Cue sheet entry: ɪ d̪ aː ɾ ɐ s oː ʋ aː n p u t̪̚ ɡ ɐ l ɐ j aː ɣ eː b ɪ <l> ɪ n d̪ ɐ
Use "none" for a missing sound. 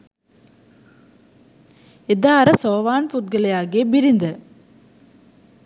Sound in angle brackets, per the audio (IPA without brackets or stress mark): ɾ